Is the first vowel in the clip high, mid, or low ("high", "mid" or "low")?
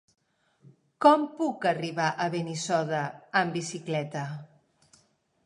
mid